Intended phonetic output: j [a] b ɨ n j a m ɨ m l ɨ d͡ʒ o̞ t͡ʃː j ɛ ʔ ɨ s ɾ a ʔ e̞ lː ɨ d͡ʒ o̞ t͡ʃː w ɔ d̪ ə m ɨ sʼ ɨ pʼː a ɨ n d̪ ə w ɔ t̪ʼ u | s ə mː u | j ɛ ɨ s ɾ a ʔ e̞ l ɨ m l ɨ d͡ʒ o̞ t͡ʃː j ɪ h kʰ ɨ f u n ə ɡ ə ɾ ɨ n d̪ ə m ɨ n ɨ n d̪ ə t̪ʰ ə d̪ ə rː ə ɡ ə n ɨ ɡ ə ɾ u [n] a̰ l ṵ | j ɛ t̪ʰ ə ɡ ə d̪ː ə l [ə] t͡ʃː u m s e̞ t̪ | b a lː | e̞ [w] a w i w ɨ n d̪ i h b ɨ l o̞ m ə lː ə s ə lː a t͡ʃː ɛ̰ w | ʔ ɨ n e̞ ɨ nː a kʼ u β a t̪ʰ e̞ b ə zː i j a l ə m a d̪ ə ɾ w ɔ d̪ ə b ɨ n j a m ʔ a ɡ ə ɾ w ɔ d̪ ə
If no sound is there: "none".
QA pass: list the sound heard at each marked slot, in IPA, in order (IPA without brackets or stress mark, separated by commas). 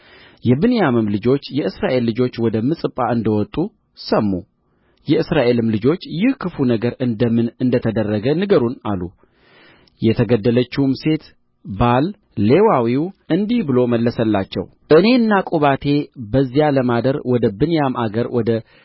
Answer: ɛ, n, ə, w